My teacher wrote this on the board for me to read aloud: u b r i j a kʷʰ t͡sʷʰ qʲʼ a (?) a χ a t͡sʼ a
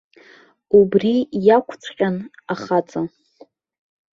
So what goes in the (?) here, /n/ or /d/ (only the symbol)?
n